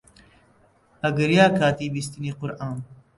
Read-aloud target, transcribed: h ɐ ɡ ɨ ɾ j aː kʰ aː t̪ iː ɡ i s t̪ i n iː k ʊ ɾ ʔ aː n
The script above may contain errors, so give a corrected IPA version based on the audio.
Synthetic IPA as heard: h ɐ ɡ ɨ ɾ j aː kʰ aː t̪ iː b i s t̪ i n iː q ʊ ɾ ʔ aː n

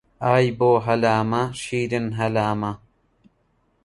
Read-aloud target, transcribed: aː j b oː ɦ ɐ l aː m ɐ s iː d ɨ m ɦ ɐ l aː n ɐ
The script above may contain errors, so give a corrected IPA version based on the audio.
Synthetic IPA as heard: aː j b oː ɦ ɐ l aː m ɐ ʃ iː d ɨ n ɦ ɐ l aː m ɐ

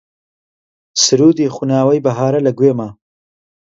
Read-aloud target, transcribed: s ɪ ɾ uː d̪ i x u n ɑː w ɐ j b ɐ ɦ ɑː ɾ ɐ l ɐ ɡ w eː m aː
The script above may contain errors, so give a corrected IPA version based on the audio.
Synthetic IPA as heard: s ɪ ɾ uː d̪ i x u n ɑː w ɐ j b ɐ ɦ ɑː ɾ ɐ l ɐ ɡ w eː m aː

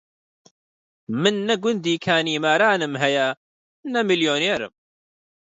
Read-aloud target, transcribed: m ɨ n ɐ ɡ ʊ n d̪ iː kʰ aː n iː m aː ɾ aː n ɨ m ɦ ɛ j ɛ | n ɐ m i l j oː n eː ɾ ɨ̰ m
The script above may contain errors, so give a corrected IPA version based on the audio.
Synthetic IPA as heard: m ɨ nː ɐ ɡ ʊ n d̪ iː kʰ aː n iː m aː ɾ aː n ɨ m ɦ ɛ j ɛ | n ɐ m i l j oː n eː ɾ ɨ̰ m

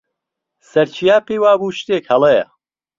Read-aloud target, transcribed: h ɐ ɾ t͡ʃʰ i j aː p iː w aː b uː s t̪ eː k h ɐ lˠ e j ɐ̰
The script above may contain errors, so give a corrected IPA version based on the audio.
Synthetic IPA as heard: s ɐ ɾ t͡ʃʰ i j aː p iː w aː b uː ʃ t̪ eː k h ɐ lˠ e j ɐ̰

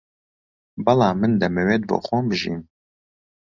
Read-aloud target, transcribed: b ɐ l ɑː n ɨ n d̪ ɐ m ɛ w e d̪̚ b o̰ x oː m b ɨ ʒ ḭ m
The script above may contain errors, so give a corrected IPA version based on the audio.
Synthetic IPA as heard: b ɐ l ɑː m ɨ n d̪ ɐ m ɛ w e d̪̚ b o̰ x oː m b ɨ ʒ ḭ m

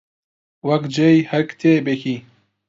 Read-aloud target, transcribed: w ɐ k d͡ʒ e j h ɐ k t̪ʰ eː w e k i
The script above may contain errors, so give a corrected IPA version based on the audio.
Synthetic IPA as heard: w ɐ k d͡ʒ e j h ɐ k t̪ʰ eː b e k i

